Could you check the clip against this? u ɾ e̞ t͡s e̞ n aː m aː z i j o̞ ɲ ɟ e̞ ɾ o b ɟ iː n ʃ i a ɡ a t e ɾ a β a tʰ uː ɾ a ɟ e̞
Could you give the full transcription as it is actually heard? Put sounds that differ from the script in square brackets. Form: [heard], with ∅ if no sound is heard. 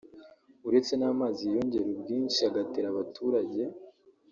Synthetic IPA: u ɾ e̞ t͡s e̞ n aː m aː z i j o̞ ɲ ɟ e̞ ɾ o b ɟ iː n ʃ i a ɡ a t e ɾ a β a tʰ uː ɾ a ɟ e̞